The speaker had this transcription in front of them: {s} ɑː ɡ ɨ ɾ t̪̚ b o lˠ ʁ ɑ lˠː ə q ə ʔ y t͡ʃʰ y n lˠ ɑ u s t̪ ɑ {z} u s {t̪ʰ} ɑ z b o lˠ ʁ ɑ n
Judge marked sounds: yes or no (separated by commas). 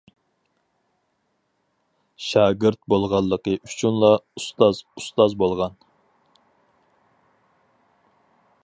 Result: no, yes, no